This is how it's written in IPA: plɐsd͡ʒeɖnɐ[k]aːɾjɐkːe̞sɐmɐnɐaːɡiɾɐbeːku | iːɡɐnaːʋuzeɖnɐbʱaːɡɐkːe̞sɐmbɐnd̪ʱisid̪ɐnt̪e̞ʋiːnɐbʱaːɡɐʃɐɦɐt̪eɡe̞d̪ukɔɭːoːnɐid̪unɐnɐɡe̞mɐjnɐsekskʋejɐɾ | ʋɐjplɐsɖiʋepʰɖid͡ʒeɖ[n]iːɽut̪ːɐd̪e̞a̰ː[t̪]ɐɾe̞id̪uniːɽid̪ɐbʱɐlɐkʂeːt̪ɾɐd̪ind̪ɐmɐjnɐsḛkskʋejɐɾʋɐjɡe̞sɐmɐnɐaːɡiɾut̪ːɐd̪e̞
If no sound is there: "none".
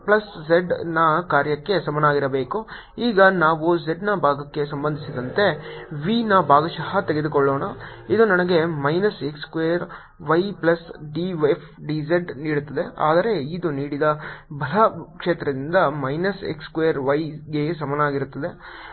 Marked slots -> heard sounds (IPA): k, n, d̪

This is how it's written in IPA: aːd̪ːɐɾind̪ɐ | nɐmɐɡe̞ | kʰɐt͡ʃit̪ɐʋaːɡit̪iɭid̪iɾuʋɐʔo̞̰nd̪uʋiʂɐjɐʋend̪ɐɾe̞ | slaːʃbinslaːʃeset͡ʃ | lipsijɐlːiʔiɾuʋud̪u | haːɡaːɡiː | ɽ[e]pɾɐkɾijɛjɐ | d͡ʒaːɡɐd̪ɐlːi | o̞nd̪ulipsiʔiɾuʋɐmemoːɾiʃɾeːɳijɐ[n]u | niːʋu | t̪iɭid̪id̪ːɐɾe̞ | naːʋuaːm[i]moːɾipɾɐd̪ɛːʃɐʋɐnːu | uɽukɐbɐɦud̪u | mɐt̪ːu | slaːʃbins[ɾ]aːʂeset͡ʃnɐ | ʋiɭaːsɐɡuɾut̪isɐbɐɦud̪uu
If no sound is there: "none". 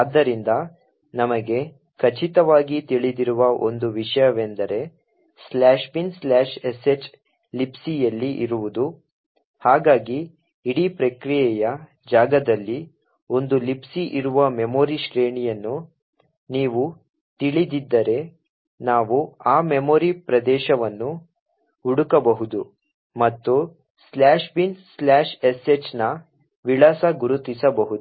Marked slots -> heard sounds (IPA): i, nː, e, l

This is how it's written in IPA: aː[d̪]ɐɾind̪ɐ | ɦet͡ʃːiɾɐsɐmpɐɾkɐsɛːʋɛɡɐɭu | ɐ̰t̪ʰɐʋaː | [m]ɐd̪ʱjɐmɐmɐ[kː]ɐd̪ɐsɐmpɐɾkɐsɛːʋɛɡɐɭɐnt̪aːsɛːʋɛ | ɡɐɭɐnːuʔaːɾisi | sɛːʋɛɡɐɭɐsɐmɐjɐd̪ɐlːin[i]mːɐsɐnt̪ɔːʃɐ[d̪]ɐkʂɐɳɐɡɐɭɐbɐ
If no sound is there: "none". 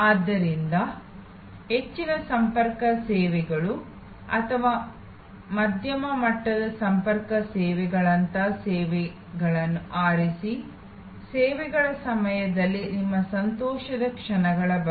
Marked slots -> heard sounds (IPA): d̪ː, m, ʈː, i, d̪

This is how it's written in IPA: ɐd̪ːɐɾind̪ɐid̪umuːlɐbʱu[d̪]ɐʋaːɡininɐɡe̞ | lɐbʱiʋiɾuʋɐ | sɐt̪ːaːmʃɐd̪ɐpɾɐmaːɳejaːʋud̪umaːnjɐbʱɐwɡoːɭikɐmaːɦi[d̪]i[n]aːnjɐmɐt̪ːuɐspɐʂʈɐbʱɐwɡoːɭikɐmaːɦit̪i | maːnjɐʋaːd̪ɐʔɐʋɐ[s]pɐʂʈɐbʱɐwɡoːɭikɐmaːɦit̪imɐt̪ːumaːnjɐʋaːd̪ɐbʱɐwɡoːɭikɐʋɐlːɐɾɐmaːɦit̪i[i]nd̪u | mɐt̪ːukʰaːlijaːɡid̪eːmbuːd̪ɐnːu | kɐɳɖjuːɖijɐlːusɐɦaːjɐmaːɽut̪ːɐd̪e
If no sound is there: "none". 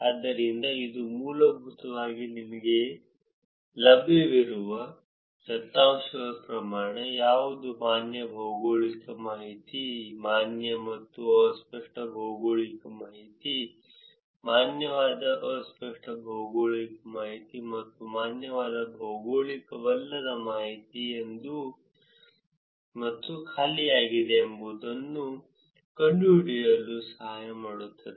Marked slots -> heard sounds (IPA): t̪, t̪, m, s, e

